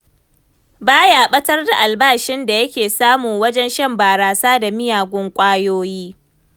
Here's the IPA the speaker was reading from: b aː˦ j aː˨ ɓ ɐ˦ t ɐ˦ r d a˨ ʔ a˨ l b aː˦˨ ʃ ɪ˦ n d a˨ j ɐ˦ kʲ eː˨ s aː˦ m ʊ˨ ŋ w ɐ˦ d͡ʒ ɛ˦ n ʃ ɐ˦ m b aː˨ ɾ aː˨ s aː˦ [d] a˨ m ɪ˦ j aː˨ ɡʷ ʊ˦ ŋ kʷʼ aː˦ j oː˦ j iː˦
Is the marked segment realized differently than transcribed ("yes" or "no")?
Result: no